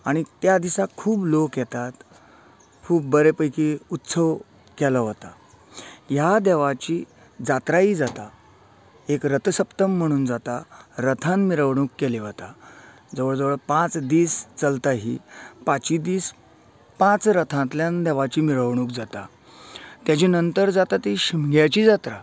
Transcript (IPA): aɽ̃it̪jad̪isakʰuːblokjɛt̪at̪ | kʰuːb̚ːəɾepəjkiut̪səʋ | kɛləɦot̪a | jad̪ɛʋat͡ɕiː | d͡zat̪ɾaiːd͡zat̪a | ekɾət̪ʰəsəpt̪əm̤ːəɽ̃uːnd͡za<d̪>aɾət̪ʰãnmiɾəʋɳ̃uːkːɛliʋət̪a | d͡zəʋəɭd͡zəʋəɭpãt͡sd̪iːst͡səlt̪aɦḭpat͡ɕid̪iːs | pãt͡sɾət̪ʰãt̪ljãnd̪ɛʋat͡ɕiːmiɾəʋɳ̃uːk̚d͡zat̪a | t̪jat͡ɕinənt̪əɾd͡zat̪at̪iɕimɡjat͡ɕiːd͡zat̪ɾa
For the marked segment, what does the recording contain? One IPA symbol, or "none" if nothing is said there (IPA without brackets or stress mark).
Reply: t̪